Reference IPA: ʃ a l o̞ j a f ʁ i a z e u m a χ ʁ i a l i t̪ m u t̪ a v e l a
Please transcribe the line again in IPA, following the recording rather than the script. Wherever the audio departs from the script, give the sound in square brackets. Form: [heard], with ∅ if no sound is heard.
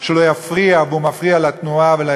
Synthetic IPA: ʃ [e] l o̞ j a f ʁ i a [v] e u m a [f] ʁ i a l [a] t̪ [n] u [∅] a v e l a

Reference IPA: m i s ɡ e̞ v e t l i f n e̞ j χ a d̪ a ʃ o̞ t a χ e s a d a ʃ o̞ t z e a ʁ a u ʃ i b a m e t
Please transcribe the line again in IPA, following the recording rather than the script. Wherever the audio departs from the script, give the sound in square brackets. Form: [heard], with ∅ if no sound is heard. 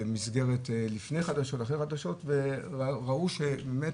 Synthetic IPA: m i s ɡ e̞ [ʁ] e t l i f n e̞ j χ a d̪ a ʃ o̞ t a χ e [χ] a d a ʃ o̞ t [v] e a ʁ a u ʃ [e] b [e] m e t

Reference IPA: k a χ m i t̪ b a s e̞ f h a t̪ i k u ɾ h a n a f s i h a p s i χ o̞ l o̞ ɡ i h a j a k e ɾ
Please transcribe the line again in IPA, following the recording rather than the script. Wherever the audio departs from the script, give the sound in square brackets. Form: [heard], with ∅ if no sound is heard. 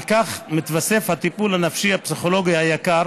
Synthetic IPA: k a χ m i t̪ [v] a s e̞ f h a t̪ i [p] u [l] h a n a f [ʃ] i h a p s i χ o̞ l o̞ ɡ i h a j a k [a] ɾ

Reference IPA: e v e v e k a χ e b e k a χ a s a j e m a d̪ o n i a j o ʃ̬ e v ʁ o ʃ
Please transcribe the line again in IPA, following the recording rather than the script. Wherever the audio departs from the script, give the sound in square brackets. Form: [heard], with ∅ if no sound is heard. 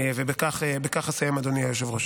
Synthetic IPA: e v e [b] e k a χ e b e k a χ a s a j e m a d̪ o n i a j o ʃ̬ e v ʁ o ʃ

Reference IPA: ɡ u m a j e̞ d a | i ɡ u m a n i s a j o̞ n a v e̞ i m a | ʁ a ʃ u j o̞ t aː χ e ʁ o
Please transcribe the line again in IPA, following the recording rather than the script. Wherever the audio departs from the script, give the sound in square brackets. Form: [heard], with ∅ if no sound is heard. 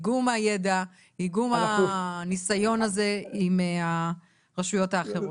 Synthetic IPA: ɡ u m a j e̞ d a | i ɡ u m a n i s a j o̞ n a [z] e̞ i m a | ʁ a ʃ u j o̞ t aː χ e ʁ o

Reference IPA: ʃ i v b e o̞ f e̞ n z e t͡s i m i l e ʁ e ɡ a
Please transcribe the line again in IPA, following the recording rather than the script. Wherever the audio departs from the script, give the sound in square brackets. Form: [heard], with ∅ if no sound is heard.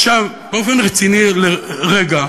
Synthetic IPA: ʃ [a] v b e o̞ f e̞ n [ʁ] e t͡s i [n] i l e ʁ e ɡ a

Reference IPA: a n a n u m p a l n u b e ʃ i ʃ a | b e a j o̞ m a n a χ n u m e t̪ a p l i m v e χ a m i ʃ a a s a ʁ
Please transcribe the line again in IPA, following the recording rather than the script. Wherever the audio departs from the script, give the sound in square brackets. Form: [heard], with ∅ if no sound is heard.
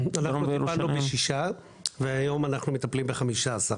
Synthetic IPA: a n a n u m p a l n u b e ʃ i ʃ a | [v] e a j o̞ m a n a χ n u m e t̪ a p l i m [b] e χ a m i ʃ a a s a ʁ

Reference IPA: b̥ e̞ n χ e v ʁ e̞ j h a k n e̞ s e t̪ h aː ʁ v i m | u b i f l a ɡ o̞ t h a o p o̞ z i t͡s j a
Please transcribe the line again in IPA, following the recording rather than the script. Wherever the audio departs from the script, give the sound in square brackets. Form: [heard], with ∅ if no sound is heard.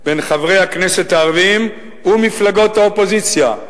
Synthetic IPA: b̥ e̞ n χ [a] v ʁ e̞ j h a k n e̞ s e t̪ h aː ʁ v i m | u [m] i f l a ɡ o̞ t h a o p o̞ z i t͡s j a

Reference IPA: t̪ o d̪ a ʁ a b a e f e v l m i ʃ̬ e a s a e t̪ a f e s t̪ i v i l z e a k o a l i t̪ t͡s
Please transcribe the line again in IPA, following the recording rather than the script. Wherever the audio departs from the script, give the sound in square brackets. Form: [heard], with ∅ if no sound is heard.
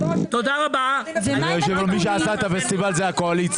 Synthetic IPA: t̪ o d̪ a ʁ a b a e [ʃ] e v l m i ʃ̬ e a s a e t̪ a f e s t̪ i v [a] l z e a k o a l i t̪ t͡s

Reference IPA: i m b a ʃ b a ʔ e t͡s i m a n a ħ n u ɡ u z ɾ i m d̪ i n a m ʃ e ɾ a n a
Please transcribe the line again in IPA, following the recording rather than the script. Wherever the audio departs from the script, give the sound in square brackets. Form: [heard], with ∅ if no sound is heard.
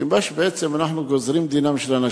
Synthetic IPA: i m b a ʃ b [e] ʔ e t͡s [e] m a n a ħ n u ɡ [o] z ɾ i m d̪ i n a m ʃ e [l] a n a

